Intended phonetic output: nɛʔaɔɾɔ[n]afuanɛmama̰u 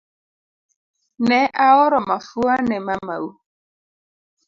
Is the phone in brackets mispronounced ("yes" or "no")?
yes